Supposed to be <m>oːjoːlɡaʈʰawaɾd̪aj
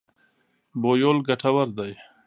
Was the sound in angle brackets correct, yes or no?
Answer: no